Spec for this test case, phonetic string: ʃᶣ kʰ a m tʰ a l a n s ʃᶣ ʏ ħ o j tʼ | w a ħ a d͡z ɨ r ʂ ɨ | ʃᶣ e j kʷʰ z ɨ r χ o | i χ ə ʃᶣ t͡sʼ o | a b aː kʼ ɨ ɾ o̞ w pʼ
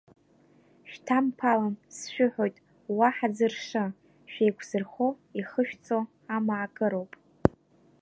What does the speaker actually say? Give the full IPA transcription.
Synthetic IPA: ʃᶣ tʰ a m pʰ a l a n s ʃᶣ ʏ ħ o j tʼ | w a ħ a d͡z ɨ r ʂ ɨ | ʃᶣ e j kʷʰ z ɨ r χ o | i χ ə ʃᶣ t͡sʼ o | a m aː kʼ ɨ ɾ o̞ w pʼ

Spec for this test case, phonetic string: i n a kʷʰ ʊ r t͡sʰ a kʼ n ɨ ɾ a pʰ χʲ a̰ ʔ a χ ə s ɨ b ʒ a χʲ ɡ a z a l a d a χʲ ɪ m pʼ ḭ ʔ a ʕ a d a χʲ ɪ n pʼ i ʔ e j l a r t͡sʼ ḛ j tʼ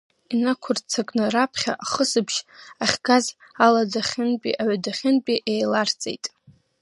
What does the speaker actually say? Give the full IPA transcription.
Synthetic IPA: i n a kʷʰ ʊ r t͡sʰ a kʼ n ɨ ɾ a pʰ χʲ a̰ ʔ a χ ə s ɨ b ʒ a χʲ ɡ a z a l a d a χʲ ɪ n pʼ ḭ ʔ a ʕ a d a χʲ ɪ n pʼ i ʔ e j l a r t͡sʼ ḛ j tʼ

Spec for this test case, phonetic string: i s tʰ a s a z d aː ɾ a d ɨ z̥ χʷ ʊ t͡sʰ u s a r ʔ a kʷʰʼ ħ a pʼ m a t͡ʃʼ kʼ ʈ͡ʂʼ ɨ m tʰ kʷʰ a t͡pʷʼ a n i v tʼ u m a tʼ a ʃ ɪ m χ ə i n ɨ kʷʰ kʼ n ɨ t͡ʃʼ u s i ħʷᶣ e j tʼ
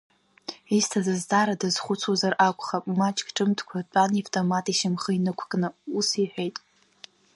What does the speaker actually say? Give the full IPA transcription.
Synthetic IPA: i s tʰ a z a z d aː ɾ a d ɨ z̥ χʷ ʊ t͡sʰ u z a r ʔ a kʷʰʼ χ a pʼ m a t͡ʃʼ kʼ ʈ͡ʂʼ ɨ m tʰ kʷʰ a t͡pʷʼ a n i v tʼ o m a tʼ i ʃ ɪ m χ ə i n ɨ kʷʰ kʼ n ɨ u s i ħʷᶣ e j tʼ

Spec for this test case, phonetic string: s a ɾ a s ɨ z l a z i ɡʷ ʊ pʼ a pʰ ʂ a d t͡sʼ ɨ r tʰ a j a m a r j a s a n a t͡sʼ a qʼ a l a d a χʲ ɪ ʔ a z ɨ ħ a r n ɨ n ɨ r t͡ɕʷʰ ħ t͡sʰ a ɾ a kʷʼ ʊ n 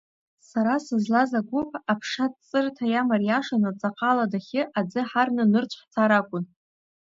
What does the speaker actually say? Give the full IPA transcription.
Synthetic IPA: s a ɾ a s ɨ z l a z a ɡʷ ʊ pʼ a pʰ ʂ a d t͡sʼ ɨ r tʰ a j a m a r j a ʂ a n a t͡sʼ a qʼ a l a d a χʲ ɪ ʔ a d͡z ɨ ħ a r n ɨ n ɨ r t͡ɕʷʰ ħ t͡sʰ a ɾ a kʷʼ ʊ n

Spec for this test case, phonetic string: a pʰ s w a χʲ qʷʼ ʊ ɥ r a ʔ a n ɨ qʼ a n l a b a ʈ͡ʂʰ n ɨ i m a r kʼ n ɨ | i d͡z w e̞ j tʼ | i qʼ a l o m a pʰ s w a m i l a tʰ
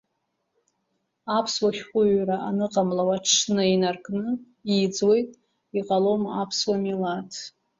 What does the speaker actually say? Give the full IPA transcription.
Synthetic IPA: a pʰ s w a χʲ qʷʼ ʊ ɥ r a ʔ a n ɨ qʼ a m l a w a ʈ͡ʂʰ n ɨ i n a r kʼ n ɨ | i d͡z w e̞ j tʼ | i qʼ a l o m a pʰ s w a m i l a tʰ

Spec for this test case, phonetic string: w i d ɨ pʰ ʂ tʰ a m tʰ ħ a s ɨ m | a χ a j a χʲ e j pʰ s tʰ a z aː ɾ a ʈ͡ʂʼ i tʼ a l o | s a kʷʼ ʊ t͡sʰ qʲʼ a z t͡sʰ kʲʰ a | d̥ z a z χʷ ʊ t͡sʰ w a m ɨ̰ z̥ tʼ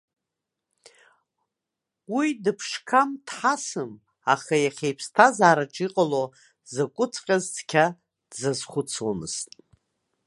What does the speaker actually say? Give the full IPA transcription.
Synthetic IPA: w i d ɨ pʰ ʂ kʰ a m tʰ ħ a s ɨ m | a χ a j a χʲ e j pʰ s tʰ a z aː ɾ a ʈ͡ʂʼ i qʼ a l o | z a kʷʼ ʊ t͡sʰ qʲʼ a z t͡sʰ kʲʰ a | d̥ z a z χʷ ʊ t͡sʰ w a m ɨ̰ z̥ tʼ

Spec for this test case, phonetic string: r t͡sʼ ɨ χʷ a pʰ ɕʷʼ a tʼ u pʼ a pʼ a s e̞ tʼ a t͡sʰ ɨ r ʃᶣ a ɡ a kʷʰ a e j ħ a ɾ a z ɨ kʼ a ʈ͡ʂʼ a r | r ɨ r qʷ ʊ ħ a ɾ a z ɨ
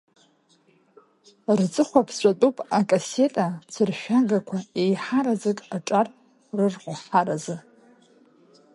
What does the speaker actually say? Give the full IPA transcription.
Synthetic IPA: r t͡sʼ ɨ χʷ a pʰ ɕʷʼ a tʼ u pʼ a kʼ a s e̞ tʼ a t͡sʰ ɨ r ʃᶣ a ɡ a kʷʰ a e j ħ a ɾ a z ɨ kʼ a ʈ͡ʂʼ a r | r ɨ r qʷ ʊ ħ a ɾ a z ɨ

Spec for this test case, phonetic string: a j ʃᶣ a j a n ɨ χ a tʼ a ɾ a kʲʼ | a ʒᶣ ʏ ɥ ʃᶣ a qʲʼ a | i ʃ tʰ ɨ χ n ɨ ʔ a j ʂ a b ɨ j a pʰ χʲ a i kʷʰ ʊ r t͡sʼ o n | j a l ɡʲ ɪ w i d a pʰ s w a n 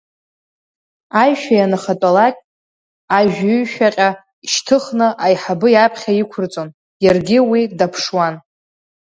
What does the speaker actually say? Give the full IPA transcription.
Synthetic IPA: a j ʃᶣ a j a n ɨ χ a tʼ a l a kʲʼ | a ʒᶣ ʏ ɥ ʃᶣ a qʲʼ a | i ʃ tʰ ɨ χ n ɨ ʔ a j ħ a b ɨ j a pʰ χʲ a i kʷʰ ʊ r t͡sʼ o n | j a r ɡʲ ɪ w i d a pʰ ʂ w a n

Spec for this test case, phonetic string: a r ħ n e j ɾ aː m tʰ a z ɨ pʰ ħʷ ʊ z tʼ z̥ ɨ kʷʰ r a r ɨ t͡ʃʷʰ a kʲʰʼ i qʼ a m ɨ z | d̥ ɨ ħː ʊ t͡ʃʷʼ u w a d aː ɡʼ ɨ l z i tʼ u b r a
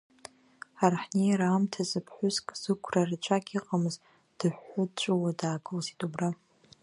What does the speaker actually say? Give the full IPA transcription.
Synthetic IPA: a r ħ n e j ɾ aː m tʰ a z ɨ pʰ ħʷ ʊ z kʼ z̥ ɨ kʷʰ r a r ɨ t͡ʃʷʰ a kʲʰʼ i qʼ a m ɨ z | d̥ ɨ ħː ʊ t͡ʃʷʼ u w a d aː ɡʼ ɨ l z i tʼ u b r a

